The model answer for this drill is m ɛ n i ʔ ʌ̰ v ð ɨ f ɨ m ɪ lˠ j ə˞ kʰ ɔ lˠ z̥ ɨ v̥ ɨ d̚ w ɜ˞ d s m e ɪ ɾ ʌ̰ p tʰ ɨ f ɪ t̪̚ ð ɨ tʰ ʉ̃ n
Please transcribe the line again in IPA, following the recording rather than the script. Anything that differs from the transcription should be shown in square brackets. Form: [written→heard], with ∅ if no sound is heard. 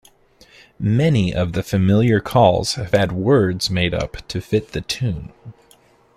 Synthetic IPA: m ɛ n i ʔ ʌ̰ v ð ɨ f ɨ m ɪ lˠ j ə˞ kʰ ɔ lˠ z̥ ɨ v̥ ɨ d̚ w ɜ˞ d [s→z] m e ɪ ɾ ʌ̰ p tʰ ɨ f ɪ t̪̚ ð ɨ tʰ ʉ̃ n